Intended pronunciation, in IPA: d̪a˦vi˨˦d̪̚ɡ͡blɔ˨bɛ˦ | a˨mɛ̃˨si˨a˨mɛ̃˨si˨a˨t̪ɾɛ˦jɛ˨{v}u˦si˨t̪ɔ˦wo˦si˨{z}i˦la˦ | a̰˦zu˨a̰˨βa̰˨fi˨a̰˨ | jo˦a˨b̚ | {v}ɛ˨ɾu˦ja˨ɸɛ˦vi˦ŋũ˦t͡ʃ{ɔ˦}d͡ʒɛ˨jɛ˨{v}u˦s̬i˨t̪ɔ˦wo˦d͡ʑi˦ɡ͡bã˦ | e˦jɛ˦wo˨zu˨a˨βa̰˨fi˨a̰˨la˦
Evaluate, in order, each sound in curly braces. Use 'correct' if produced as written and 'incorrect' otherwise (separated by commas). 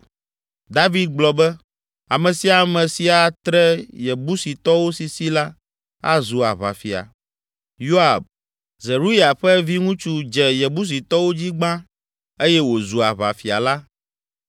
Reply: incorrect, incorrect, incorrect, incorrect, incorrect